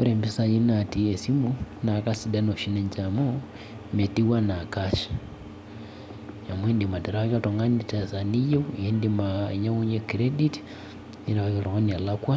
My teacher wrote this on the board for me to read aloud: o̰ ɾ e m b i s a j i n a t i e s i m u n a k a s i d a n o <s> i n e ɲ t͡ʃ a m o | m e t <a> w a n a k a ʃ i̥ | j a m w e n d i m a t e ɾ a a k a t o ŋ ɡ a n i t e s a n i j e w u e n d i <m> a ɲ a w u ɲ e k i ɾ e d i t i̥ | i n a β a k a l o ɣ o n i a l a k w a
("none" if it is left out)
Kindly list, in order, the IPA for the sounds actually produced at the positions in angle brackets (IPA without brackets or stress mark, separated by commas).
ʃ, i, m